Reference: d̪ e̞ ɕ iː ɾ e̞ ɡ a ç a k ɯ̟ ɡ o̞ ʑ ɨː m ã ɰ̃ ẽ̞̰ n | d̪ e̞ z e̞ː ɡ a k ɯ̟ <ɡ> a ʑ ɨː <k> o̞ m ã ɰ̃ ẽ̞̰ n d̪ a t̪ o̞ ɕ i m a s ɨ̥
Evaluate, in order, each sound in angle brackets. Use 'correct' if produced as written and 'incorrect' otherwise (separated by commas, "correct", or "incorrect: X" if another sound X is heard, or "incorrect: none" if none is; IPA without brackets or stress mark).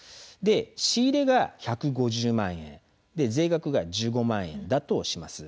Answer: correct, incorrect: ɡ